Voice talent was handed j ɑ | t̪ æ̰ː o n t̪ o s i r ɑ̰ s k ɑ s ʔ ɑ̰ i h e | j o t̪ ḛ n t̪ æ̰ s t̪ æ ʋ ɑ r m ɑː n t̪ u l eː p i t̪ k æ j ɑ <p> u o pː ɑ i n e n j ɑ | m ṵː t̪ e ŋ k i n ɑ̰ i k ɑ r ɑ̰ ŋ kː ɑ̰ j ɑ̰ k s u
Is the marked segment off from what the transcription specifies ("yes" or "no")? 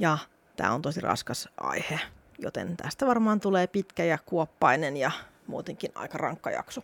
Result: yes